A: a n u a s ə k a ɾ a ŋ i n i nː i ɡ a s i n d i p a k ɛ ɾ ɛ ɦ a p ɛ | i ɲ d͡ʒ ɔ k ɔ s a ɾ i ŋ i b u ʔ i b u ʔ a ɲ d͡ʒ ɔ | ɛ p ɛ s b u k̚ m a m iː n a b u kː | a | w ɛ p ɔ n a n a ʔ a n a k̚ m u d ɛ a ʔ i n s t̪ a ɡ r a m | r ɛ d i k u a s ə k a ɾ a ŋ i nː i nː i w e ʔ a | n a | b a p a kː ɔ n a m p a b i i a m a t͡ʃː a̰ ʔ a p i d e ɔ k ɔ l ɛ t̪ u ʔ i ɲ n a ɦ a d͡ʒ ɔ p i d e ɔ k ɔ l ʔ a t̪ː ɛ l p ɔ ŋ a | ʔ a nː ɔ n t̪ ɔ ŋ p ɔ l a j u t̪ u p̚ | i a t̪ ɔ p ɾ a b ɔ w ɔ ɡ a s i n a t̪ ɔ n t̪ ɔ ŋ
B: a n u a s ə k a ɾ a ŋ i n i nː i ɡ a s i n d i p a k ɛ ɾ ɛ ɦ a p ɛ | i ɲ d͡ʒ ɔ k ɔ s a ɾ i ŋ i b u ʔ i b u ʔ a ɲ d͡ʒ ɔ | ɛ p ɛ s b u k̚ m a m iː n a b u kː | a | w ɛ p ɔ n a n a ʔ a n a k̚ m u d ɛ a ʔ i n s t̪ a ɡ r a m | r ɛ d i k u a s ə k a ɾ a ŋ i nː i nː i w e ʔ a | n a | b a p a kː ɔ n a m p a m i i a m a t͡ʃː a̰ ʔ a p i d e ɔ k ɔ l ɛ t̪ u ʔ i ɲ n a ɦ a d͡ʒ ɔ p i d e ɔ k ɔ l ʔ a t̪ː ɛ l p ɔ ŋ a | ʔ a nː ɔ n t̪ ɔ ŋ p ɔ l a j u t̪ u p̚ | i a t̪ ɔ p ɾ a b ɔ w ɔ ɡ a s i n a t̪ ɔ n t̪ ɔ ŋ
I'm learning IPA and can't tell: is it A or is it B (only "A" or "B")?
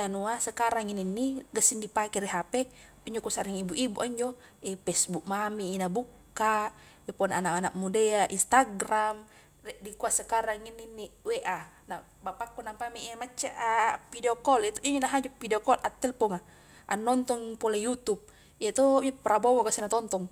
B